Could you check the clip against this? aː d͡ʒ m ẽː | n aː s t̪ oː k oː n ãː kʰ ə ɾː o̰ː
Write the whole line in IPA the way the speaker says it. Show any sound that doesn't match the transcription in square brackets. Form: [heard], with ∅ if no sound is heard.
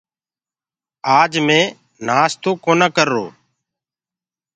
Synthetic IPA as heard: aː d͡ʒ m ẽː | n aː s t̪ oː k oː n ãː [k] ə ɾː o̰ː